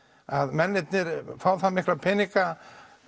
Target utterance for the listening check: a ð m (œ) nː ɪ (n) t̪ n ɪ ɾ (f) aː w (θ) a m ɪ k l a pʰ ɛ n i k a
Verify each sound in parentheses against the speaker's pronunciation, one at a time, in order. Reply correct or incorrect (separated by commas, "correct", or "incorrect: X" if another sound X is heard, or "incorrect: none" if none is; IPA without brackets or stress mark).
incorrect: ɛ, incorrect: none, correct, correct